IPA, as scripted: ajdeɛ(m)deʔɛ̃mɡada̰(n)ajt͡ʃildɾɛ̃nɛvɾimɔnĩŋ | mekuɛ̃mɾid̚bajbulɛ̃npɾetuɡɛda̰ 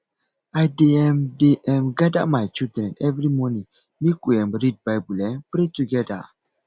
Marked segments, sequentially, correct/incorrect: correct, incorrect

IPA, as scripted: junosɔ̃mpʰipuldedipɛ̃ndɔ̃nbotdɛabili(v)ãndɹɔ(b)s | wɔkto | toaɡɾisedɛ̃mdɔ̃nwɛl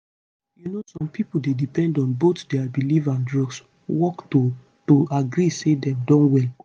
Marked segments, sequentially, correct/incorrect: correct, incorrect

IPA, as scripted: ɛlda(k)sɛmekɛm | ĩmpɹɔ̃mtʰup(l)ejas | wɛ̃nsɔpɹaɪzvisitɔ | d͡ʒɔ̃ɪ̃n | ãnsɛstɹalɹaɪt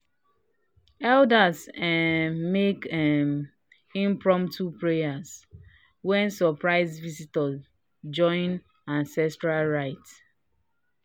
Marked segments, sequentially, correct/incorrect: incorrect, incorrect

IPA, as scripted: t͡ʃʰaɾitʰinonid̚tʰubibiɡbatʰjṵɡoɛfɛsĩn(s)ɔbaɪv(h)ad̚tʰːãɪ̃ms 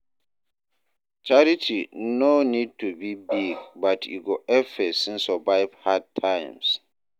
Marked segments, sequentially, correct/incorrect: correct, correct

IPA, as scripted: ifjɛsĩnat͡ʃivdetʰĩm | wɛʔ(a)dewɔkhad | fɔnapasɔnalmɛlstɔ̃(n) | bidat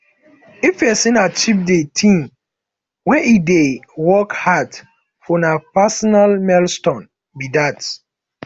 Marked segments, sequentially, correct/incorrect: incorrect, correct

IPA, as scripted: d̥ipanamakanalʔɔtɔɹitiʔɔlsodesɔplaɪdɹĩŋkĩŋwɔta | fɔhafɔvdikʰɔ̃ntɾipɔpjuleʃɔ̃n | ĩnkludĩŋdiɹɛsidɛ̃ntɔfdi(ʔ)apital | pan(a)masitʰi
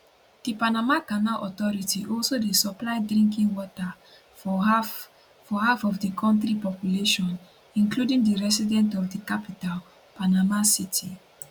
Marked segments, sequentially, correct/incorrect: incorrect, correct

